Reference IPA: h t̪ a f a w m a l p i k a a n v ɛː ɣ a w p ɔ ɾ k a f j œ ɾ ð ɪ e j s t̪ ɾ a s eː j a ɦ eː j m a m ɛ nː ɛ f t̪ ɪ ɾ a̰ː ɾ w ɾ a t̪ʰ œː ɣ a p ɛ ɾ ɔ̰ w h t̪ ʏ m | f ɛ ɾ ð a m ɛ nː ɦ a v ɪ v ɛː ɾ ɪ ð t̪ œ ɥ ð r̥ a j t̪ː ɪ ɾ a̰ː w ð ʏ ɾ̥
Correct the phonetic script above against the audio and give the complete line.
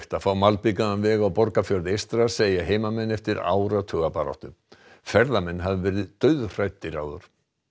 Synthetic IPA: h t̪ a f a w m a l p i k a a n v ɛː ɣ a w p ɔ ɾ k a f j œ ɾ ð ɪ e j s t̪ ɾ a s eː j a ɦ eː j m a m ɛ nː ɛ f t̪ ɪ ɾ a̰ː w ɾ a t̪ʰ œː ɣ a p a ɾ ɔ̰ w h t̪ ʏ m | f ɛ ɾ ð a m ɛ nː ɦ a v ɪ v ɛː ɾ ɪ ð t̪ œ ɥ ð r̥ a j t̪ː ɪ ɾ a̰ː w ð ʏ ɾ̥